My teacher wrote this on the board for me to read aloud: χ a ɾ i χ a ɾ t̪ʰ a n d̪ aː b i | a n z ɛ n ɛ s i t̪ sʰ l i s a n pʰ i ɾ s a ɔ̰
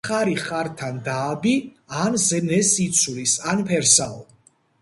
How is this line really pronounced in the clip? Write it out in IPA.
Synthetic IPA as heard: χ a ɾ i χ a ɾ t̪ʰ a n d̪ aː b i | a n z ɛ n ɛ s i t̪ sʰ l i s a n pʰ ɛ ɾ s a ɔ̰